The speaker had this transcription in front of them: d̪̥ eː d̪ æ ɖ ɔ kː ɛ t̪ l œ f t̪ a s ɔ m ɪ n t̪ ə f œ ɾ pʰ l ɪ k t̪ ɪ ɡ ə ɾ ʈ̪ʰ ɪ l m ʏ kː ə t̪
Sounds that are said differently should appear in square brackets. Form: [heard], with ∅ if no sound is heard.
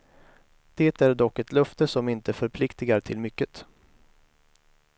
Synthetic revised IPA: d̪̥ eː [t̪] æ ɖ ɔ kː ɛ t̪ l œ f t̪ [ə] s ɔ m ɪ n t̪ ə f œ ɾ pʰ l ɪ k t̪ ɪ ɡ [a] ɾ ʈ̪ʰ ɪ l m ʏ kː ə t̪